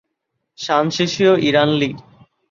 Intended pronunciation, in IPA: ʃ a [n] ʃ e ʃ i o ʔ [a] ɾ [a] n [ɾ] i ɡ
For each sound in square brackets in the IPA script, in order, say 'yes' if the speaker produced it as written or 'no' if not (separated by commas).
yes, no, yes, no